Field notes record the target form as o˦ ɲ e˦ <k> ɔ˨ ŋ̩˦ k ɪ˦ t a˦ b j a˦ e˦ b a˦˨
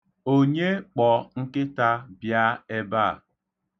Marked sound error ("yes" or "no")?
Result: yes